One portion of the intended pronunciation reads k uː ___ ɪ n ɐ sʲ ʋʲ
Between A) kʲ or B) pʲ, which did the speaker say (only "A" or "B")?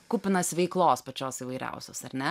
B